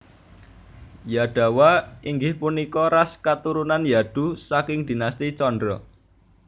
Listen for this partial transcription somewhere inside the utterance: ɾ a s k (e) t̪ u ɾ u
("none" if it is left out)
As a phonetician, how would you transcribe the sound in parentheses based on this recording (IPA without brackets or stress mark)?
a